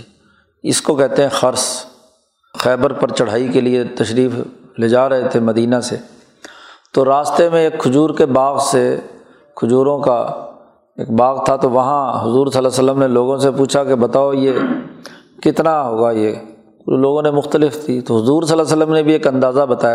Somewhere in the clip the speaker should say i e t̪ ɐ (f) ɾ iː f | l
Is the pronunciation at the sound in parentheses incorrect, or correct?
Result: incorrect